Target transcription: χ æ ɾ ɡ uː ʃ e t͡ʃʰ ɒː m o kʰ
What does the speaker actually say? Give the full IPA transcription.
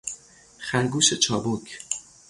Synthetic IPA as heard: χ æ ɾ ɡ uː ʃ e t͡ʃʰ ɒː b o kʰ